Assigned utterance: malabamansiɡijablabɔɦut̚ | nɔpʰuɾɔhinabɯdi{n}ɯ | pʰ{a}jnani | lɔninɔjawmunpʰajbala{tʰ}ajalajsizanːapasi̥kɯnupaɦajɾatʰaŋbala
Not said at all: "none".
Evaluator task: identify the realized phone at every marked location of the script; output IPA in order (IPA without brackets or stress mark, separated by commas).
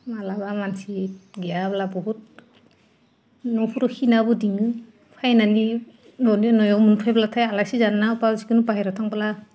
ŋ, a, tʰ